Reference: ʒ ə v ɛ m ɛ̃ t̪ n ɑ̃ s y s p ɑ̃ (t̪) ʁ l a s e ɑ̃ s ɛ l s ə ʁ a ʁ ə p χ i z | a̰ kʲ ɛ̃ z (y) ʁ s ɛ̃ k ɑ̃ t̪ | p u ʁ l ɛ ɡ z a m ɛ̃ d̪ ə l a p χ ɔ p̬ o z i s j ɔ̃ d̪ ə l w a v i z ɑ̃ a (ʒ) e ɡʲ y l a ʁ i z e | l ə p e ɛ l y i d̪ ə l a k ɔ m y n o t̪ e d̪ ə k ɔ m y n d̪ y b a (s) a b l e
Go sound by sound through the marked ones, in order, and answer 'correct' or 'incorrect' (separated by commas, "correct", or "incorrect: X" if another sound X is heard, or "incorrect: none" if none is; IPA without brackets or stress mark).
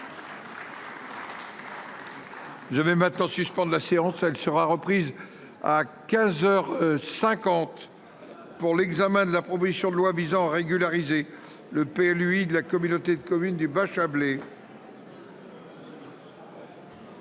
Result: incorrect: d̪, incorrect: œ, incorrect: ʁ, incorrect: ʃ